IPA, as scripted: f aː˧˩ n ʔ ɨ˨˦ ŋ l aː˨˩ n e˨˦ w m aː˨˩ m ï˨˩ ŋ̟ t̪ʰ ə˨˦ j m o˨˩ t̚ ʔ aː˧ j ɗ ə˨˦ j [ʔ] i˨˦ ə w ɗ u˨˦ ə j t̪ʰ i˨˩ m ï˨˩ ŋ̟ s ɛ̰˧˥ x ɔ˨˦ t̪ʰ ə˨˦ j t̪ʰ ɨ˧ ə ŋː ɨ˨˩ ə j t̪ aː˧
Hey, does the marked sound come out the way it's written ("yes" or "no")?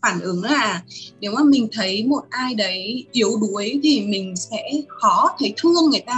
yes